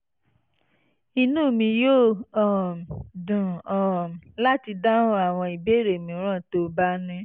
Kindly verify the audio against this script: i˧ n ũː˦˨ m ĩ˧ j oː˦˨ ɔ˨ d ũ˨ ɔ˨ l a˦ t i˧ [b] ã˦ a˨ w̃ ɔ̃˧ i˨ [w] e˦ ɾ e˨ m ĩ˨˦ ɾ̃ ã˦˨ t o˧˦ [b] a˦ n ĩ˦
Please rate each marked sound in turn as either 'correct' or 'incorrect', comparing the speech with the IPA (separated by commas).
incorrect, incorrect, correct